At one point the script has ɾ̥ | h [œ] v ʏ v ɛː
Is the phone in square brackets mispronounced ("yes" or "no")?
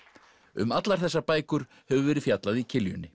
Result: yes